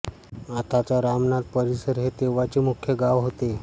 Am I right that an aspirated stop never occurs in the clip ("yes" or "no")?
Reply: no